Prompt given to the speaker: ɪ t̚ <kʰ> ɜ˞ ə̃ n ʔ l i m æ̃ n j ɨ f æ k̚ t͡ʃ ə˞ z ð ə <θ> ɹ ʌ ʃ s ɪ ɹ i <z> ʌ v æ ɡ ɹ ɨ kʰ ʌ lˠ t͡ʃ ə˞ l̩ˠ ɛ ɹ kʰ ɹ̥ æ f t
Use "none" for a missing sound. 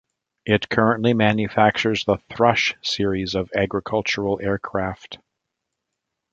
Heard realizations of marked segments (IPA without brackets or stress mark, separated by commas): kʰ, θ, z